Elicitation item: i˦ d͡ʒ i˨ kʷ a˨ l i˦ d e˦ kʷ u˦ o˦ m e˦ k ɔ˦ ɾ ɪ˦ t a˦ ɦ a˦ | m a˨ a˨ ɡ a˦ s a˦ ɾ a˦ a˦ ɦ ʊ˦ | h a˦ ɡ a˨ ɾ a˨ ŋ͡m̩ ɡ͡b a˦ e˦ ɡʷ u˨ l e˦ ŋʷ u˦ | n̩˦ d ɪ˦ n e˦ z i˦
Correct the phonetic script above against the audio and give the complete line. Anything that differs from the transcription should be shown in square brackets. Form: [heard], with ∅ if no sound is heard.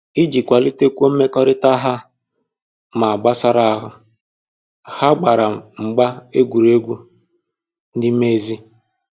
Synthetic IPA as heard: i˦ d͡ʒ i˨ kʷ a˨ l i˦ [t] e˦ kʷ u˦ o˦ m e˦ k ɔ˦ ɾ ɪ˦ t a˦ ɦ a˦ | m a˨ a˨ [ɡ͡b] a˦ s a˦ ɾ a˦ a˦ ɦ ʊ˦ | h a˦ [ɡ͡b] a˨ ɾ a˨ ŋ͡m̩ ɡ͡b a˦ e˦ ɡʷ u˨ [ɾ] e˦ [ɡʷ] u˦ | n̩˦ d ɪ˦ [m] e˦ z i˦